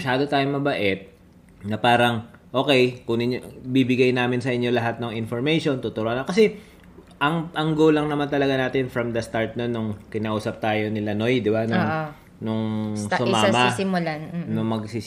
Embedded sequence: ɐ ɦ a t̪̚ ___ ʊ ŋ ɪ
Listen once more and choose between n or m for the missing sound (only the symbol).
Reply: n